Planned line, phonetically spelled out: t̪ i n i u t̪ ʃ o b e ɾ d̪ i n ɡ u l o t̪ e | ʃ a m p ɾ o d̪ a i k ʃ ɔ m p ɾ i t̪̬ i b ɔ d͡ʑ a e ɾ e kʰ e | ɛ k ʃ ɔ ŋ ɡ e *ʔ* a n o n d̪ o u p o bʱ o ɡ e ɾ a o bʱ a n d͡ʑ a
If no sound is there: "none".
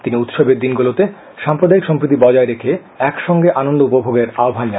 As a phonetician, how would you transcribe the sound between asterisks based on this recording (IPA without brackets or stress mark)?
ʔ